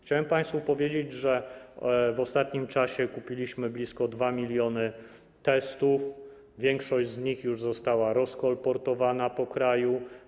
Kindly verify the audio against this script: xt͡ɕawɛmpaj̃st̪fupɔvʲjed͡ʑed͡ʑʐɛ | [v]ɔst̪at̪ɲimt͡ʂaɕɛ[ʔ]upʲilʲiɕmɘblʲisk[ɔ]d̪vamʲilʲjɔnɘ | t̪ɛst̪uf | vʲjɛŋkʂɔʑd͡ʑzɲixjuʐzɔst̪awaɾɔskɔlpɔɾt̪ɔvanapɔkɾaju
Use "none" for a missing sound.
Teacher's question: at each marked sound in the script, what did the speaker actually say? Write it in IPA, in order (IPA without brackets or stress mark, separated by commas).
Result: v, k, ɔ